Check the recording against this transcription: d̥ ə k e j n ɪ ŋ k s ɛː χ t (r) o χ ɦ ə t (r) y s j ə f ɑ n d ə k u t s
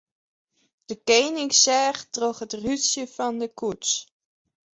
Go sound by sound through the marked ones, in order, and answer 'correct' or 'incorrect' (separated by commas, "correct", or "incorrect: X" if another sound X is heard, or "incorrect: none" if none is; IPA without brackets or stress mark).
correct, correct